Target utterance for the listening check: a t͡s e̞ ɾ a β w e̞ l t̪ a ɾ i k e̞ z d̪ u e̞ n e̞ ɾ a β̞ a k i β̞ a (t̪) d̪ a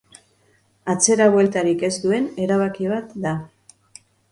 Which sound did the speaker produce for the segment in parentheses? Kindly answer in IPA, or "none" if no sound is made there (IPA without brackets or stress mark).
t̪